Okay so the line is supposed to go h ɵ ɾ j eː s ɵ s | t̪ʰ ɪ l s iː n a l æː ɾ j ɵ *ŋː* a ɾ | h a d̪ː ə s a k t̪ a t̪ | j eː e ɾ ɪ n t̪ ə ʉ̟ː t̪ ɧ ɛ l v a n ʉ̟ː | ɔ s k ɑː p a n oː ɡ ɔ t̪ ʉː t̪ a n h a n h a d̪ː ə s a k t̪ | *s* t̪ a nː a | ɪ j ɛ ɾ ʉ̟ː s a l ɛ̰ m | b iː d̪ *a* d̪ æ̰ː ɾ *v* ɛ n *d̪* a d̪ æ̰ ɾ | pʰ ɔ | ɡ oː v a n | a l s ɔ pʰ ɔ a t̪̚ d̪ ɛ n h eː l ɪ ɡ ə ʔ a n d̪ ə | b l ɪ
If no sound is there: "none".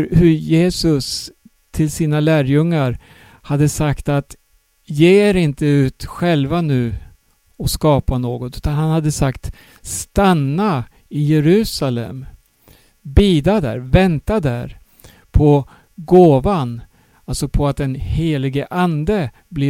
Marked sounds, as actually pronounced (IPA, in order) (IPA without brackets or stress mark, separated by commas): ŋː, s, a, v, t̪